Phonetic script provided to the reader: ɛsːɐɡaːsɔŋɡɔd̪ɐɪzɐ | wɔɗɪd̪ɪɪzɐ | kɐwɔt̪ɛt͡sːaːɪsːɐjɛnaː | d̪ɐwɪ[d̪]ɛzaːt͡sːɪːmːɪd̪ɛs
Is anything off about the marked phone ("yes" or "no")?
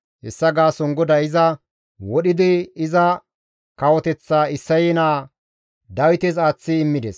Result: yes